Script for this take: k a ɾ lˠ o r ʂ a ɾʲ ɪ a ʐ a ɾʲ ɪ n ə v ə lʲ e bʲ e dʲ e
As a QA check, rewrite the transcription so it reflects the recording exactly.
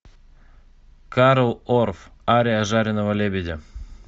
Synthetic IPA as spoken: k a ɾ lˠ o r f a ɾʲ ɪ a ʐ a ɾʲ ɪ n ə v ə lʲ e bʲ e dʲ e